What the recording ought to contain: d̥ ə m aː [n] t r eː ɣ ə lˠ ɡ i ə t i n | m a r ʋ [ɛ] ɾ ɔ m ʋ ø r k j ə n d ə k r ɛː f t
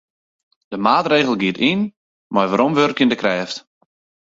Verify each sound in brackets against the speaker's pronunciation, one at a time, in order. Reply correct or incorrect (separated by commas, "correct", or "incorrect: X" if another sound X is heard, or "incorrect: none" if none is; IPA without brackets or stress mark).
incorrect: none, incorrect: a